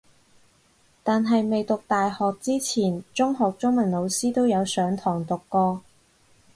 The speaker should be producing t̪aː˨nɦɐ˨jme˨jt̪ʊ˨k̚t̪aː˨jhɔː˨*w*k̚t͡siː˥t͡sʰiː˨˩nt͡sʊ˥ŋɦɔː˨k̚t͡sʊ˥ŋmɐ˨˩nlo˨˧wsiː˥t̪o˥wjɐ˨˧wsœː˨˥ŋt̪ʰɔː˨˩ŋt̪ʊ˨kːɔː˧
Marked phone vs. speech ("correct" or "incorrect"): incorrect